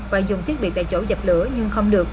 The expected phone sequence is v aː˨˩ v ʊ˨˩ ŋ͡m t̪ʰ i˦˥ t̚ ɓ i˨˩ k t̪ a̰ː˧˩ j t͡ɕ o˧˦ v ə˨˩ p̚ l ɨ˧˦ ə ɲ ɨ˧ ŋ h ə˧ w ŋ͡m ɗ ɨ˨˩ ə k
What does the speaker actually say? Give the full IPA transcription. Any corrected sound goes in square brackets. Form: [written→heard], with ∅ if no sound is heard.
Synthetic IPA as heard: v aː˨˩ [v→z] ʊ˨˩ ŋ͡m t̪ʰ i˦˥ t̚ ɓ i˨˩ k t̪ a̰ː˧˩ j t͡ɕ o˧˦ [v→z] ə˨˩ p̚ l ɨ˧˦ ə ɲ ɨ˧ ŋ [h→x] ə˧ w ŋ͡m ɗ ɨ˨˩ ə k